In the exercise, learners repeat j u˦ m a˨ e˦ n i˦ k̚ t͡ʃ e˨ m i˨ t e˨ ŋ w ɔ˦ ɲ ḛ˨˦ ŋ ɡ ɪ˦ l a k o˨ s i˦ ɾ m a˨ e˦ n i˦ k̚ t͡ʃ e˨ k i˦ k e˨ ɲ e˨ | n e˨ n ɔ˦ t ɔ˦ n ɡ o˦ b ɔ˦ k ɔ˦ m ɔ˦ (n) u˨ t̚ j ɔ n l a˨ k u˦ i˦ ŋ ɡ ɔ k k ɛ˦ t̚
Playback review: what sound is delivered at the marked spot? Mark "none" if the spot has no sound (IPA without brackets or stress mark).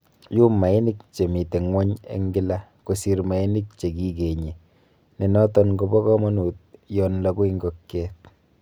n